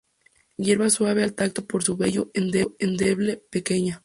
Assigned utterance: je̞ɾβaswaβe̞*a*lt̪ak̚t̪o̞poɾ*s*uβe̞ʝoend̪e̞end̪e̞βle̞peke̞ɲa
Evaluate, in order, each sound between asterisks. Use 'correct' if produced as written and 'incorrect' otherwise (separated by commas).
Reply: correct, correct